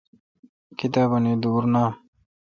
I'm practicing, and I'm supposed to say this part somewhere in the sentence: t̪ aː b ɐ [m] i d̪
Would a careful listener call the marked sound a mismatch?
yes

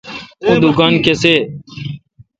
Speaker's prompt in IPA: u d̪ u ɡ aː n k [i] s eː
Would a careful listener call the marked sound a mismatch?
yes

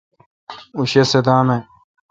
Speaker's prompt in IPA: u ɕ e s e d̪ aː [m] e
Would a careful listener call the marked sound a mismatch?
no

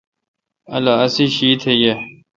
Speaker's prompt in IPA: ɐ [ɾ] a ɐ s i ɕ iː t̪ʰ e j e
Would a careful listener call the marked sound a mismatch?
yes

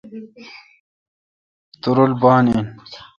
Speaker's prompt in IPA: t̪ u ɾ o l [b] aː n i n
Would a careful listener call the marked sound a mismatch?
no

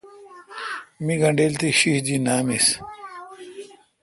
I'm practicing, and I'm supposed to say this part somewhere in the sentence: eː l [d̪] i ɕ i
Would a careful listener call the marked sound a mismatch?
yes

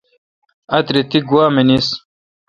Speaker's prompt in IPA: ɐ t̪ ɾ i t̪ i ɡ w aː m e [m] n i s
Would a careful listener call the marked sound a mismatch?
yes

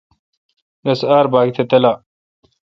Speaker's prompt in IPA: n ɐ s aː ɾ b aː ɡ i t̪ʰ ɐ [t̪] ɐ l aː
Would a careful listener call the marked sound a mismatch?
no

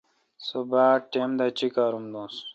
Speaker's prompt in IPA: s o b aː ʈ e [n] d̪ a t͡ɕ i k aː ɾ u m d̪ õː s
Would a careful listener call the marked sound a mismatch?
yes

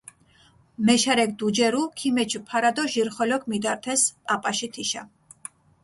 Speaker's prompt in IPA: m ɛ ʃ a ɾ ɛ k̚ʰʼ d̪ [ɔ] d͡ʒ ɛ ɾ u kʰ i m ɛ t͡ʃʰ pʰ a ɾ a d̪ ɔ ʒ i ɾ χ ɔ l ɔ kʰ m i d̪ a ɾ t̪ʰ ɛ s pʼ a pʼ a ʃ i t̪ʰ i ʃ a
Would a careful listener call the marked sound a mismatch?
yes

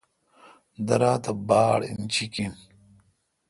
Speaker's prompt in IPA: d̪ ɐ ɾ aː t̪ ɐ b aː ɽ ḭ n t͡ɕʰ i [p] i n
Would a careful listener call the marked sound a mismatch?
yes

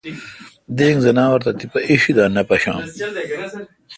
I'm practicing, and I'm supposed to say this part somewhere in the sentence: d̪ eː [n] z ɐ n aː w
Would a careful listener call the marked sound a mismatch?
yes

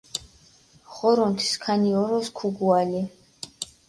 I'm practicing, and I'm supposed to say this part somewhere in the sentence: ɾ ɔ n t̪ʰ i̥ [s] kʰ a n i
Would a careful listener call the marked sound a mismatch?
no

